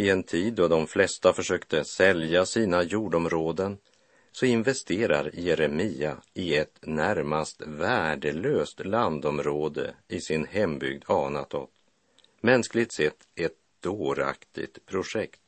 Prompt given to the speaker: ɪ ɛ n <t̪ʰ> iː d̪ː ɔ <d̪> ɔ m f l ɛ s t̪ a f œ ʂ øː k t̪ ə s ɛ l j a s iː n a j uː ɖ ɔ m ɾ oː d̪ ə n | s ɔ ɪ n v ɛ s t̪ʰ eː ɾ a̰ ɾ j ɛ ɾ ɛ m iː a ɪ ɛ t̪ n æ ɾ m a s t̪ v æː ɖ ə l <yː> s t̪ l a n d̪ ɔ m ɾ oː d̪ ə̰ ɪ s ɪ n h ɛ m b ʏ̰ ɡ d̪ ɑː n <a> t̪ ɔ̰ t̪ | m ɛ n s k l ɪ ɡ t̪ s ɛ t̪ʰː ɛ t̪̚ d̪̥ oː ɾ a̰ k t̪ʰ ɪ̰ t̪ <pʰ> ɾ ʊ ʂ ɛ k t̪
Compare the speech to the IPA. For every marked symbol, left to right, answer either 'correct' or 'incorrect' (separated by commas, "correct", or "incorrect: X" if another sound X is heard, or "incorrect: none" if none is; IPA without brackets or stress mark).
correct, correct, incorrect: øː, correct, correct